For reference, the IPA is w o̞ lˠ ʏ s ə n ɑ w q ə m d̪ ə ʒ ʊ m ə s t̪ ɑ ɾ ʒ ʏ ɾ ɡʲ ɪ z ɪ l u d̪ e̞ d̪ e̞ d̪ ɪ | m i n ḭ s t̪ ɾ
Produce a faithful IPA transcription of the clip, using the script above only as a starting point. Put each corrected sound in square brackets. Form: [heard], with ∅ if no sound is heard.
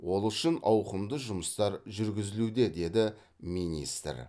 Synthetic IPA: w o̞ lˠ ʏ [ʃ] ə n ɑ w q ə m d̪ ə ʒ ʊ m ə s t̪ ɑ ɾ ʒ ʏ ɾ ɡʲ ɪ z ɪ l u d̪ e̞ d̪ e̞ d̪ ɪ | m i n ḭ s t̪ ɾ